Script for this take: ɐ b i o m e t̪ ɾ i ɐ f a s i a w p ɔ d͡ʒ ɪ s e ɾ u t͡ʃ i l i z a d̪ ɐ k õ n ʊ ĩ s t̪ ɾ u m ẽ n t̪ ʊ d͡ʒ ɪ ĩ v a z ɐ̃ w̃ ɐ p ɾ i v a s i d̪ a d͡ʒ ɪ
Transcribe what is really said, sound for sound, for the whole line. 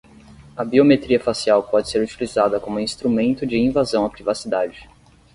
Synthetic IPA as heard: ɐ b i o m e t̪ ɾ i ɐ f a s i a w p ɔ d͡ʒ ɪ s e ɾ u t͡ʃ i l i z a d̪ ɐ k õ m ʊ ĩ s t̪ ɾ u m ẽ n t̪ ʊ d͡ʒ ɪ ĩ v a z ɐ̃ w̃ ɐ p ɾ i v a s i d̪ a d͡ʒ ɪ

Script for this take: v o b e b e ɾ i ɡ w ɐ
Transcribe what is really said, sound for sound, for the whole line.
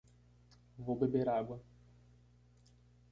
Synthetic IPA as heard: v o b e b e ɾ a ɡ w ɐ

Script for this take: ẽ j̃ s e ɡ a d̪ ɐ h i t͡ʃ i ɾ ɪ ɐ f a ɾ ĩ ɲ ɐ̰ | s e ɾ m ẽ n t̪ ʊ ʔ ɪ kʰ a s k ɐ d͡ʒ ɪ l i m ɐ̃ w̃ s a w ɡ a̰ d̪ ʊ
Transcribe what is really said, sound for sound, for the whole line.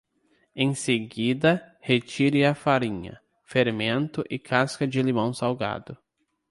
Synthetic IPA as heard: ẽ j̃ s e ɡ i d̪ ɐ h e t͡ʃ i ɾ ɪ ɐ f a ɾ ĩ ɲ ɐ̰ | f e ɾ m ẽ n t̪ ʊ ʔ ɪ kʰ a s k ɐ d͡ʒ ɪ l i m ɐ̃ w̃ s a w ɡ a̰ d̪ ʊ

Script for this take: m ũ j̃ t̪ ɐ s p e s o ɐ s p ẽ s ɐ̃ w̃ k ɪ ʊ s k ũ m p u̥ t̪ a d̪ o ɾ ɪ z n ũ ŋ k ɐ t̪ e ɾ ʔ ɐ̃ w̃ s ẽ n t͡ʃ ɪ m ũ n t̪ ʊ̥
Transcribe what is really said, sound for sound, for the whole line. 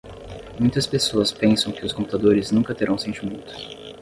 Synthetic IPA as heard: m ũ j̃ t̪ ɐ s p e s o ɐ s p ẽ s ɐ̃ w̃ k ɪ ʊ s k õ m p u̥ t̪ a d̪ o ɾ ɪ z n ũ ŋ k ɐ t̪ e ɾ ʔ ɐ̃ w̃ s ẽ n t͡ʃ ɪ m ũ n t̪ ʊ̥

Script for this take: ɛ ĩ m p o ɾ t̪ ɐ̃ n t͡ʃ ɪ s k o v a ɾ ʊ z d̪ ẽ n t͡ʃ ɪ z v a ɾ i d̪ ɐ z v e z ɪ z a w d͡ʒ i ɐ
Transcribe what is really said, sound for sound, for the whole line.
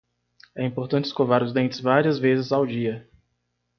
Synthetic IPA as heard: ɛ ĩ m p o ɾ t̪ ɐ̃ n t͡ʃ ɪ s k o v a ɾ ʊ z d̪ ẽ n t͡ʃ ɪ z v a ɾ i ɐ z v e z ɪ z a w d͡ʒ i ɐ

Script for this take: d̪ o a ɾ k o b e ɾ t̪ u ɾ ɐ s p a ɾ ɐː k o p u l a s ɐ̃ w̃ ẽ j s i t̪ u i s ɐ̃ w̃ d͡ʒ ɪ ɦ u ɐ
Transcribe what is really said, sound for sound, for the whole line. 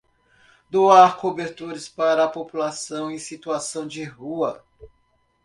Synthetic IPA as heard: d̪ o a ɾ k o b e ɾ t̪ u ɾ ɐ s p a ɾ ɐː p o p u l a s ɐ̃ w̃ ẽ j s i t̪ u a s ɐ̃ w̃ d͡ʒ ɪ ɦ u ɐ

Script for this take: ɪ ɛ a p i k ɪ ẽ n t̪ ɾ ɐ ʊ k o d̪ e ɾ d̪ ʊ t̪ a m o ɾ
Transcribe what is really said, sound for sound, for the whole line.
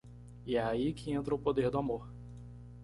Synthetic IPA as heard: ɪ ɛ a i k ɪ ẽ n t̪ ɾ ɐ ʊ p o d̪ e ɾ d̪ ʊ a m o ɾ

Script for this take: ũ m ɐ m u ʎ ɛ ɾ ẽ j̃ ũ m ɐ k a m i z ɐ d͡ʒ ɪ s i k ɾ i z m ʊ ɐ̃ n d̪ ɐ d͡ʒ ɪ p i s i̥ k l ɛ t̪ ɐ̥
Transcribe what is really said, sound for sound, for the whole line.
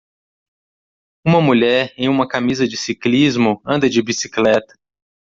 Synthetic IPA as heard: ũ m ɐ m u ʎ ɛ ɾ ẽ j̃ ũ m ɐ k a m i z ɐ d͡ʒ ɪ s i k l i z m ʊ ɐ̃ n d̪ ɐ d͡ʒ ɪ b i s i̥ k l ɛ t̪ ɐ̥

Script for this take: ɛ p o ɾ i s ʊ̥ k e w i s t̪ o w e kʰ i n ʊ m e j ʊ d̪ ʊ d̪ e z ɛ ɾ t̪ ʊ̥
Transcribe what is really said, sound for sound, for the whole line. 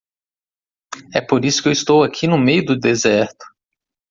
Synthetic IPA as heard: ɛ p o ɾ i s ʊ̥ k e w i s t̪ o w a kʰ i n ʊ m e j ʊ d̪ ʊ d̪ e z ɛ ɾ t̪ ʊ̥

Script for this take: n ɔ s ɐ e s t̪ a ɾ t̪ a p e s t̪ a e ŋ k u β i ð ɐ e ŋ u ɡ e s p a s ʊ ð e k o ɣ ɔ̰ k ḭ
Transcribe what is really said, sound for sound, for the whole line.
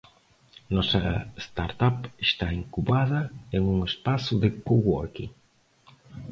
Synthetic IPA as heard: n ɔ s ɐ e s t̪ a ɾ t̪ a p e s t̪ a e ŋ k u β a ð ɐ e ŋ u ŋ e s p a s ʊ ð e k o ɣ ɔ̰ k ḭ

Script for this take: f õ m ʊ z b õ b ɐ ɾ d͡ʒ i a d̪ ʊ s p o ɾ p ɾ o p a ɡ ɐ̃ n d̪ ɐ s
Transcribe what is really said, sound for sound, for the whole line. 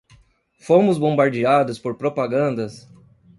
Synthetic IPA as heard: f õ m ʊ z b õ b a ɾ d͡ʒ i a d̪ ʊ s p o ɾ p ɾ o p a ɡ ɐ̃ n d̪ ɐ s

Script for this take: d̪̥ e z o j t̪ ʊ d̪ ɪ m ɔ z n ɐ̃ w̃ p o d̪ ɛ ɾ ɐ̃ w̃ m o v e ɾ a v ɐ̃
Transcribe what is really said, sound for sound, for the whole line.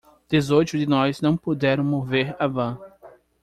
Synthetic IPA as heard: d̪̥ e z o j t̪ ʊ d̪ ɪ n ɔ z n ɐ̃ w̃ p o d̪ ɛ ɾ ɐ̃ w̃ m o v e ɾ a v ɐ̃

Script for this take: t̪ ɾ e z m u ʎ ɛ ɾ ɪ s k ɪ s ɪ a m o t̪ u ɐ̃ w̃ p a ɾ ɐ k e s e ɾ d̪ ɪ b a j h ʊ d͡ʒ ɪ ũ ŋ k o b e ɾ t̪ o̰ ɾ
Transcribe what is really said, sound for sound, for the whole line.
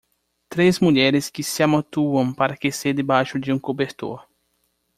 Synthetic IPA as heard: t̪ ɾ e z m u ʎ ɛ ɾ ɪ s k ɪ s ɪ a m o t̪ u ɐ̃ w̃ p a ɾ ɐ k e s e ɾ d̪ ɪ b a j ʃ ʊ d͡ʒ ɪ ũ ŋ k o b e ɾ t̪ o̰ ɾ

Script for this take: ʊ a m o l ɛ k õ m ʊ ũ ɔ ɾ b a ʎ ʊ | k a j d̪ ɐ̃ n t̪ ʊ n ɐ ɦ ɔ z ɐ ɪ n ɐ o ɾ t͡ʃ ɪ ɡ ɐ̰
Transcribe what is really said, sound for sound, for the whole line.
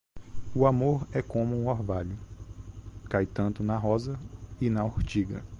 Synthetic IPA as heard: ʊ a m o ɾ ɛ k õ m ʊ ũ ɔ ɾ v a ʎ ʊ | k a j t̪ ɐ̃ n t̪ ʊ n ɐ ɦ ɔ z ɐ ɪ n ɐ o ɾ t͡ʃ i ɡ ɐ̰

